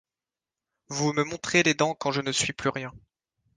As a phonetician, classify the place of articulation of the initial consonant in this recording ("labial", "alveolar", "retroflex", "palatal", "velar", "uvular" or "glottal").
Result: labial